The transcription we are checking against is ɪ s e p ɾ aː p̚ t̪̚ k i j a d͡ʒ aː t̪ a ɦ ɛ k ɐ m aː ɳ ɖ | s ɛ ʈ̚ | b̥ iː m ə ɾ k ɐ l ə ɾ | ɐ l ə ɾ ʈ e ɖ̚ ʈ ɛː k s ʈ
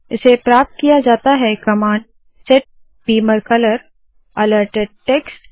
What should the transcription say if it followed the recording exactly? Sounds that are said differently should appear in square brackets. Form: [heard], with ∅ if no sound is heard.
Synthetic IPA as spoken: ɪ s e p ɾ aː p̚ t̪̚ k i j a d͡ʒ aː t̪ a ɦ ɛ k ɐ m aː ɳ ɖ | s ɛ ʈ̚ | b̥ iː m ə ɾ k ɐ l ə ɾ | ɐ l ə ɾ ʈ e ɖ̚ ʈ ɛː k s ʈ